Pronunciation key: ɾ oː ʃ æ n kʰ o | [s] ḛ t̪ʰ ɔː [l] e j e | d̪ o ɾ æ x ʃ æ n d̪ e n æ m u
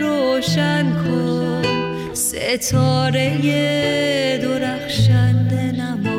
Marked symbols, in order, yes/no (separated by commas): yes, no